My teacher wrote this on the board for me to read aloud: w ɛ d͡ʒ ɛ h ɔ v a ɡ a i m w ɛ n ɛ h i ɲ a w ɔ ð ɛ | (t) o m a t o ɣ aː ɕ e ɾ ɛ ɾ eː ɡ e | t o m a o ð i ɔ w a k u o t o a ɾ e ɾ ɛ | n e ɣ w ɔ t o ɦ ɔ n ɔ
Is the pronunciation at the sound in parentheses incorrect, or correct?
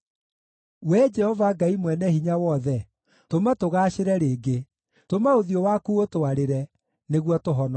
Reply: correct